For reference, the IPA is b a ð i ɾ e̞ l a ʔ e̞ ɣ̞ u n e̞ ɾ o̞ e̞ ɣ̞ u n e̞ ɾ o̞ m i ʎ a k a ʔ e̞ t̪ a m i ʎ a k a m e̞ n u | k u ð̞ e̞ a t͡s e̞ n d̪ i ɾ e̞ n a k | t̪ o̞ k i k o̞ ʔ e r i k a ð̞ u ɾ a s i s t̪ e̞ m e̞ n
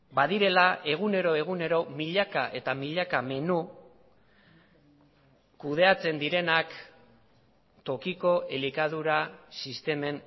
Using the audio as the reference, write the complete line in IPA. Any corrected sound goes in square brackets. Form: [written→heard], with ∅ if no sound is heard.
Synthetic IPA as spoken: b a ð i ɾ e̞ l a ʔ e̞ ɣ̞ u n e̞ ɾ o̞ e̞ ɣ̞ u n e̞ ɾ o̞ m i ʎ a k a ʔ e̞ t̪ a m i ʎ a k a m e̞ n u | k u ð̞ e̞ a t͡s e̞ n d̪ i ɾ e̞ n a k | t̪ o̞ k i k o̞ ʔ e [r→l] i k a ð̞ u ɾ a s i s t̪ e̞ m e̞ n